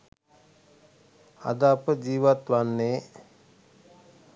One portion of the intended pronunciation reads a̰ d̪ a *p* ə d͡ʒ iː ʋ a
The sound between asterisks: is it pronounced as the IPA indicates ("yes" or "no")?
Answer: yes